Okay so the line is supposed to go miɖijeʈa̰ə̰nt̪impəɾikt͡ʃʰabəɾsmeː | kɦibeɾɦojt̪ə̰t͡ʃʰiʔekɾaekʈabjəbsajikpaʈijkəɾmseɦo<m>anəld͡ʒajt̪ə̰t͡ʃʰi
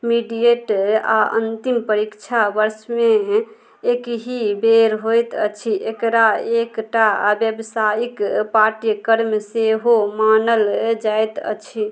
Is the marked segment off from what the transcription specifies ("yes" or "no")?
no